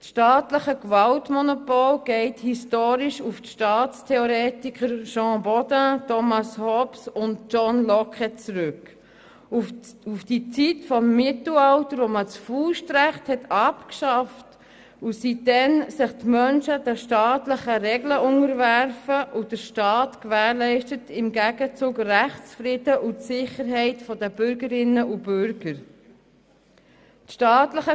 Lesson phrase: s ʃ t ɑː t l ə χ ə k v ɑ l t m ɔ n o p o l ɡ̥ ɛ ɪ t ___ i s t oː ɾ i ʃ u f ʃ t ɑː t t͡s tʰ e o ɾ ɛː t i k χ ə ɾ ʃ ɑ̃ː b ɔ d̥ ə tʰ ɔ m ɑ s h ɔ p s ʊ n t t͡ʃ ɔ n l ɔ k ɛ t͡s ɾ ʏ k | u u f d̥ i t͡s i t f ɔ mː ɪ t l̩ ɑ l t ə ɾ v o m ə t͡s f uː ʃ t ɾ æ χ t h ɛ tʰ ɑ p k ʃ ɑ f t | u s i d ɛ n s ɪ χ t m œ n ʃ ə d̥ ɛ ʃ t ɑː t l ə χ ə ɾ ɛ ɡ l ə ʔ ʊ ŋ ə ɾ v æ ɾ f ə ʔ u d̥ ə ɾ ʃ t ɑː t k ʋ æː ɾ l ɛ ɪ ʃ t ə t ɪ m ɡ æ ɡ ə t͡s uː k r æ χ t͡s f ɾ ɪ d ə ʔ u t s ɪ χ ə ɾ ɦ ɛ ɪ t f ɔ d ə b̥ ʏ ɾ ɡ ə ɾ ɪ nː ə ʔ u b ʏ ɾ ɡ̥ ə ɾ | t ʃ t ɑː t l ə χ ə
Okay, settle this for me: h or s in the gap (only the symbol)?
h